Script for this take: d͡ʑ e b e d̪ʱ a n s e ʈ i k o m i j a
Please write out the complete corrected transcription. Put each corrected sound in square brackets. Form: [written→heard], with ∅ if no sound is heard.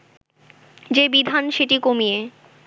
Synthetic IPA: d͡ʑ e b [e→i] d̪ʱ a n [s→ʃ] e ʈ i k o m i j [a→e]